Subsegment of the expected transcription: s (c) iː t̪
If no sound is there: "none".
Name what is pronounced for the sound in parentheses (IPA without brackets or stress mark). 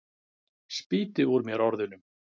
p